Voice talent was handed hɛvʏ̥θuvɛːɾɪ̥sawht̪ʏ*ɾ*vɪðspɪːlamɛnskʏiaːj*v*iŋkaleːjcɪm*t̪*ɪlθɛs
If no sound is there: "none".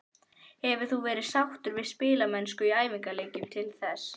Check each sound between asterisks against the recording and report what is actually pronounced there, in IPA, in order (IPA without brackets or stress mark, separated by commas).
ɾ, v, t̪ʰ